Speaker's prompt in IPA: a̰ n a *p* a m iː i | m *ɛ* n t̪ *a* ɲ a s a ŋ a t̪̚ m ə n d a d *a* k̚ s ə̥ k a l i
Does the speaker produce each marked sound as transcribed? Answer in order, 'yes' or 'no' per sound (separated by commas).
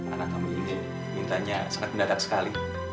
no, no, yes, yes